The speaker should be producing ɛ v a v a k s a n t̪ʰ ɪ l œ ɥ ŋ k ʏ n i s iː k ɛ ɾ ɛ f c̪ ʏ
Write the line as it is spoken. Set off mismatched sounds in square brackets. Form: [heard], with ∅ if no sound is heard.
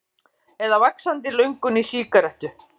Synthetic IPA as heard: ɛ [ð] a v a k s a n [t̪] ɪ l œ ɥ ŋ k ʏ n i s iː k [a] ɾ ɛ [h] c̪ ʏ